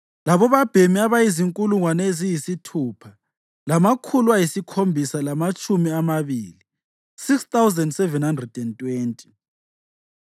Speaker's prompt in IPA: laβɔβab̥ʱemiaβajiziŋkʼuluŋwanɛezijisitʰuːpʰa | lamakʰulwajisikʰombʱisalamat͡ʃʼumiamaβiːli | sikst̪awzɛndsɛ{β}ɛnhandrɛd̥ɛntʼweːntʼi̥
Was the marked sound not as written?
yes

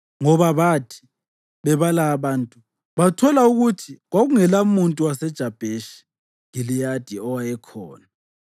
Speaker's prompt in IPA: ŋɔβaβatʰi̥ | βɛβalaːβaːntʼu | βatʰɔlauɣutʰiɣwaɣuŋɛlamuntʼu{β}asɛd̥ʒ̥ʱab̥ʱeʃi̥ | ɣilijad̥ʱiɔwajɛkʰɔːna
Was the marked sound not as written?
yes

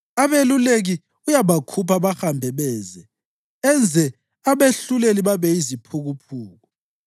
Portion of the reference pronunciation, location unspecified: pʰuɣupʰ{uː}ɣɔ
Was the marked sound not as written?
no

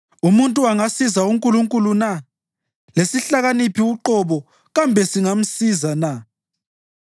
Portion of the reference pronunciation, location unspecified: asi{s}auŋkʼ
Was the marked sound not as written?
yes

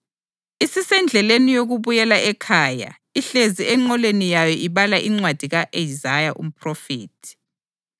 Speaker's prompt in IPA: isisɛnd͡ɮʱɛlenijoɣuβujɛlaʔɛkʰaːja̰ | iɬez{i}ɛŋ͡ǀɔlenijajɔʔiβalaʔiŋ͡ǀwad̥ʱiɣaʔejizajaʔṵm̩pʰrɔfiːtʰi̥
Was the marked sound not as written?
no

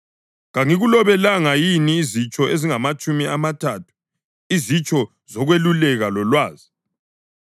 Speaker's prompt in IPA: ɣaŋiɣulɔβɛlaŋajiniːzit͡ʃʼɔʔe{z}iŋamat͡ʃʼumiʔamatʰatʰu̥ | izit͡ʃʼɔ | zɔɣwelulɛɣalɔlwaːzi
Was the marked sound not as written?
no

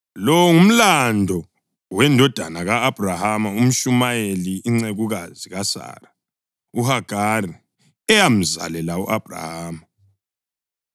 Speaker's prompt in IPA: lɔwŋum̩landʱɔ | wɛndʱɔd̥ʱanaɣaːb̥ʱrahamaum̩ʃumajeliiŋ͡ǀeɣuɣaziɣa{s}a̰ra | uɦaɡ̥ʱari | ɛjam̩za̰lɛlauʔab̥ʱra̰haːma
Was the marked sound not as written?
no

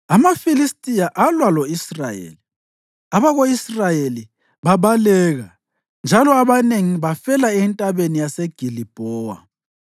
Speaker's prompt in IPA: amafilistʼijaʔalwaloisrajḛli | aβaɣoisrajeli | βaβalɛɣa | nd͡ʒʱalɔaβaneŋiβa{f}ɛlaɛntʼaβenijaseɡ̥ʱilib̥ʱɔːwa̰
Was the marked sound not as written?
no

